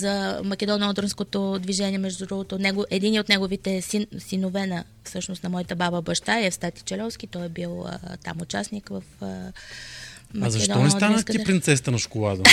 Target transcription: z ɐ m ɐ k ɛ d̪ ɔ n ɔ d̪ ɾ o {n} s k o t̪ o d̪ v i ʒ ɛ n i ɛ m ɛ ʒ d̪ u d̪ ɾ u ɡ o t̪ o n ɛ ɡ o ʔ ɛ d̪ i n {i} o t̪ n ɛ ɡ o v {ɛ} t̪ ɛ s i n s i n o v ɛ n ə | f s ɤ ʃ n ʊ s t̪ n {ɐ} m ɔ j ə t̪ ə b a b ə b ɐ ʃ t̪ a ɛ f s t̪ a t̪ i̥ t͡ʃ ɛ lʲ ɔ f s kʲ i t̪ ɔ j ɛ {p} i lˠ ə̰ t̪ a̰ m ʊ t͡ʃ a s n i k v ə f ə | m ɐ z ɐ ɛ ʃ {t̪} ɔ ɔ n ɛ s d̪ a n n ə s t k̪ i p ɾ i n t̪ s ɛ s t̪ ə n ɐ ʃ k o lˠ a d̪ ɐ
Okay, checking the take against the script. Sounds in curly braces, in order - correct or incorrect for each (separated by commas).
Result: correct, correct, incorrect, correct, incorrect, incorrect